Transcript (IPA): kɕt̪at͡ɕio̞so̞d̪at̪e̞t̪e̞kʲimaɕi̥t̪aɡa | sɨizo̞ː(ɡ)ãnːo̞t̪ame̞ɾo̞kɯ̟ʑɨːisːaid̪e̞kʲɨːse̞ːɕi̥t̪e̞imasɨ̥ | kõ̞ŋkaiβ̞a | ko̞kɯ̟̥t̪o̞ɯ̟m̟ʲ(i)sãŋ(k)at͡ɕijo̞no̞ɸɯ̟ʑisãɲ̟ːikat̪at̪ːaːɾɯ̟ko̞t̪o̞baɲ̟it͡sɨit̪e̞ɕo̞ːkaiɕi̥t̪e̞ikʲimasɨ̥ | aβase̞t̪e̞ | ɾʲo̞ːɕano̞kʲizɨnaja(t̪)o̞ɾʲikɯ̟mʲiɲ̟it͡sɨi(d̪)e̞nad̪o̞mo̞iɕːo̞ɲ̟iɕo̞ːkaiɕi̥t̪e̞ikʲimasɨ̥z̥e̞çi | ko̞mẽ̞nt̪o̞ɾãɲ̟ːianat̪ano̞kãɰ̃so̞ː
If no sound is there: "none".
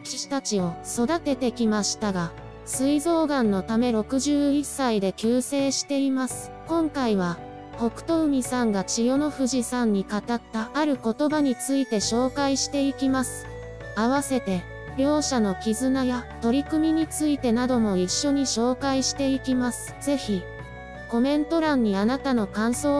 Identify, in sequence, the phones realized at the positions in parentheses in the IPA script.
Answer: ɡ, i, ɡ, t̪, t̪

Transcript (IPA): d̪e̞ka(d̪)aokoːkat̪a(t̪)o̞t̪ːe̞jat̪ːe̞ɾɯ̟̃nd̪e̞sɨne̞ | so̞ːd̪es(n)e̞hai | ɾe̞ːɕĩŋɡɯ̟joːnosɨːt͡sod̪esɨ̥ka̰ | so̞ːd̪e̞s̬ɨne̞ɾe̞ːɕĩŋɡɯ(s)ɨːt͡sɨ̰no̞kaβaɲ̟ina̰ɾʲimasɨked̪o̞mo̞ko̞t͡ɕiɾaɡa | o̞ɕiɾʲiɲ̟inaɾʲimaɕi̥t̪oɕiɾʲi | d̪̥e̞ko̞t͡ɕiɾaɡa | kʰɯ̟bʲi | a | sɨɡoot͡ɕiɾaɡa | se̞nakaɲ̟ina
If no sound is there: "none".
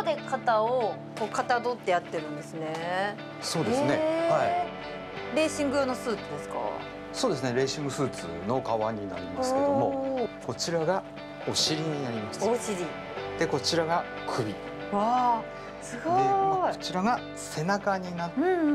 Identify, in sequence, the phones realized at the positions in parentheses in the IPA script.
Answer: t̪, d̪, n, s

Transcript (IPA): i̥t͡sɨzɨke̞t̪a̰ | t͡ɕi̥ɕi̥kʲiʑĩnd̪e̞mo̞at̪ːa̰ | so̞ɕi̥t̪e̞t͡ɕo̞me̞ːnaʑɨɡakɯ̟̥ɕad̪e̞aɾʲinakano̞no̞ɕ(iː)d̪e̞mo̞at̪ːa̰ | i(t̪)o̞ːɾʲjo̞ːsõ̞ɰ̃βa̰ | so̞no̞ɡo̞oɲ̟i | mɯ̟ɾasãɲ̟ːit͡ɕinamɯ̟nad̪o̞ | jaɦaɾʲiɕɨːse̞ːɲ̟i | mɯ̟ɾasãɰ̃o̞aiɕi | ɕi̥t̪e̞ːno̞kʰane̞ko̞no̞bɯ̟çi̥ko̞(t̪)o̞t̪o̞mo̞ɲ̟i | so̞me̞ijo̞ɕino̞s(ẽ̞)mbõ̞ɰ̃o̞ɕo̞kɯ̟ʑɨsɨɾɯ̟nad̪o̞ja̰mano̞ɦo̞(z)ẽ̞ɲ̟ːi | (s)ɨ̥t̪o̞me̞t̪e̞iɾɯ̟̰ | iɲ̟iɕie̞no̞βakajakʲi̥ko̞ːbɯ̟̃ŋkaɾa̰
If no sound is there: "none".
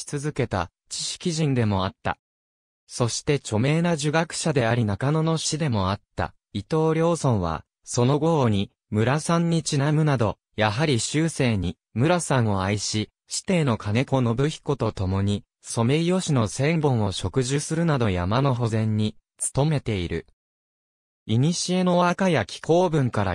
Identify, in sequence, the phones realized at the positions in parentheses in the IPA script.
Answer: i, t̪, t̪, ẽ̞, z, t͡s

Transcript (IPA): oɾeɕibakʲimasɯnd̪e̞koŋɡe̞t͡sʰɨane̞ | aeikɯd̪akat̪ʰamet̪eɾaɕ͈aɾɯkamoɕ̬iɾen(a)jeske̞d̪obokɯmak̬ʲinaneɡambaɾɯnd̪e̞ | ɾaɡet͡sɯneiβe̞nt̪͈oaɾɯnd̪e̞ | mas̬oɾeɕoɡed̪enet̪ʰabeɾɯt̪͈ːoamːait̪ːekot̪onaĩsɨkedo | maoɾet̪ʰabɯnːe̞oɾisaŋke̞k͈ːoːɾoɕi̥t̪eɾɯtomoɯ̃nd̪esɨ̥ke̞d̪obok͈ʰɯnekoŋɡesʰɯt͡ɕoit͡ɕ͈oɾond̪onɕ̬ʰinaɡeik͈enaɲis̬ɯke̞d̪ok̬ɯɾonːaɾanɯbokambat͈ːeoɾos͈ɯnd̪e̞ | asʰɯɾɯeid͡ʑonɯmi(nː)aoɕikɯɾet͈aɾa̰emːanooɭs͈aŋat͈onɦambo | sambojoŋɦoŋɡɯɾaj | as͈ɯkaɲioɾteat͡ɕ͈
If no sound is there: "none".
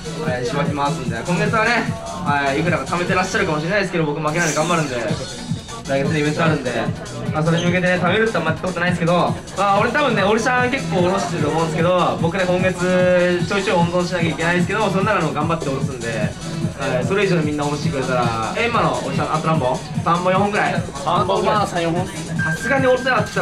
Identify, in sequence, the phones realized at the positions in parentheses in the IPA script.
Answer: a, nː

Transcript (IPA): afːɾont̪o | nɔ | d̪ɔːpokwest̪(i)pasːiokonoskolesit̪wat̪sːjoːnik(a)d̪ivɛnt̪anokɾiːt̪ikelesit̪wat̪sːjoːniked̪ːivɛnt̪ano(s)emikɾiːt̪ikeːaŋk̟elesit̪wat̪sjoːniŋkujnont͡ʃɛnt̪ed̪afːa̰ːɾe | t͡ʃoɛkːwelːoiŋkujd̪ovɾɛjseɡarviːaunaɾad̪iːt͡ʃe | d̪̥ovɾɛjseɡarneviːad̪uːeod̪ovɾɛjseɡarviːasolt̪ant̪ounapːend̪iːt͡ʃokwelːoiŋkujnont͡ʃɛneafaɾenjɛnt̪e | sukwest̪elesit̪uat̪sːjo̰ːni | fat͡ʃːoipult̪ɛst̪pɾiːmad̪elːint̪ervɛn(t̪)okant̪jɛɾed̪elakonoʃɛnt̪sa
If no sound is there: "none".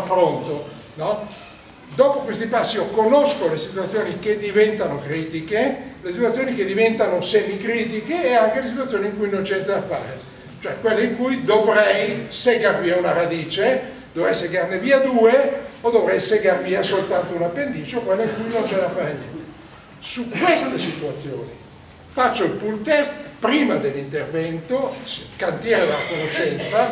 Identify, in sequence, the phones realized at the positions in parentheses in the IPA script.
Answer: i, e, s, t̪

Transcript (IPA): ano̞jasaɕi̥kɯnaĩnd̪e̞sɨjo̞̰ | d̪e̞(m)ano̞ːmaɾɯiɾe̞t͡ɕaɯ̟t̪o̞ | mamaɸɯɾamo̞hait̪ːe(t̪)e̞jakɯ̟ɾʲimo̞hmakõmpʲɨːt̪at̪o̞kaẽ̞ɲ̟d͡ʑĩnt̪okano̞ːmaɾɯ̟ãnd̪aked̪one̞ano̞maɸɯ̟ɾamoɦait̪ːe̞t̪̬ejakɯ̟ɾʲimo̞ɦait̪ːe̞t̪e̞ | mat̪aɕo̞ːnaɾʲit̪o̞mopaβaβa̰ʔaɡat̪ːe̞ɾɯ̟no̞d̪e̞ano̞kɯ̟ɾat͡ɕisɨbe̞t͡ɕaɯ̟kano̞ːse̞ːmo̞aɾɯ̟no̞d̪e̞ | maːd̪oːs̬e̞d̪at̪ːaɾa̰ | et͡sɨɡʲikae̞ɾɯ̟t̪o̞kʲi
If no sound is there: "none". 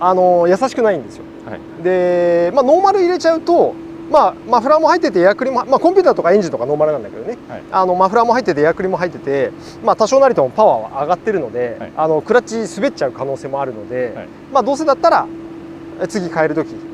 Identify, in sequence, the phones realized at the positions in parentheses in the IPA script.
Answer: m, t̪

